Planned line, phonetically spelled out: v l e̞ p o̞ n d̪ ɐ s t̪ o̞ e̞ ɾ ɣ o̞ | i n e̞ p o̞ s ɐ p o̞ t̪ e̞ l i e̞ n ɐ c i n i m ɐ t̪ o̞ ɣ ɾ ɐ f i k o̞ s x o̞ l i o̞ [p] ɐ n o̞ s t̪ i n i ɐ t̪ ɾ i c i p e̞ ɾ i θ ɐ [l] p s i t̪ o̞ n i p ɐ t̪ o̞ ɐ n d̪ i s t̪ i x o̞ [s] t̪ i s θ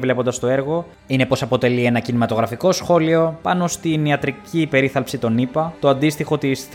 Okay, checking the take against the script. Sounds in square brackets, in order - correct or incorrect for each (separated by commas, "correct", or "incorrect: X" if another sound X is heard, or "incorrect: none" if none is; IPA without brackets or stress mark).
correct, correct, incorrect: none